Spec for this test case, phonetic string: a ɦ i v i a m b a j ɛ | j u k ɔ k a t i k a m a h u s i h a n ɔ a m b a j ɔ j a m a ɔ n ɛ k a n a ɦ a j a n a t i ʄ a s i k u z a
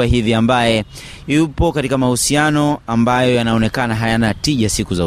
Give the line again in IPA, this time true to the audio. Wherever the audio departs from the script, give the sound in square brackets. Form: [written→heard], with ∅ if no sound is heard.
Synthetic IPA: a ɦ i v i a m b a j ɛ | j u [k→p] ɔ k a t i k a m a h u s i [h→∅] a n ɔ a m b a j ɔ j a [m→n] a ɔ n ɛ k a n a ɦ a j a n a t i ʄ a s i k u z a